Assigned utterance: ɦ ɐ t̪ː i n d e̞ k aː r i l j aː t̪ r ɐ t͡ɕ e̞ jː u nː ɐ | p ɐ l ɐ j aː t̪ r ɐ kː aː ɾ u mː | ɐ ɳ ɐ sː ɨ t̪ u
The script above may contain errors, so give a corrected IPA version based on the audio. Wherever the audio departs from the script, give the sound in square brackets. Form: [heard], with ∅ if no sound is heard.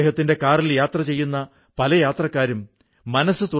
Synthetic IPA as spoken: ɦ ɐ t̪ː i n d e̞ k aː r i l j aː t̪ r ɐ t͡ɕ e̞ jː u nː ɐ | p ɐ l ɐ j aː t̪ r ɐ kː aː ɾ u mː | ɐ [n] ɐ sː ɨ t̪ u